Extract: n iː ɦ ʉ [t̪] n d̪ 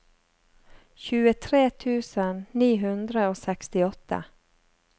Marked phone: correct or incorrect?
incorrect